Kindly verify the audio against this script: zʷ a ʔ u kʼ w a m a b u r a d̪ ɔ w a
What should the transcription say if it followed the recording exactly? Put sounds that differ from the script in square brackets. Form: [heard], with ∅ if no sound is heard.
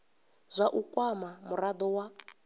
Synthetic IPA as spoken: zʷ a ʔ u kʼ w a m a [m] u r a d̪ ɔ w a